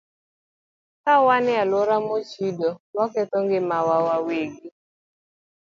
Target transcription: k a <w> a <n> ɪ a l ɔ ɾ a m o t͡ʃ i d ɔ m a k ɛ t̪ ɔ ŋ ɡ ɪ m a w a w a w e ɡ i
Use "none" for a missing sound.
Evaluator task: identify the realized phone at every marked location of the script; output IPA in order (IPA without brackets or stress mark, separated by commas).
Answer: w, n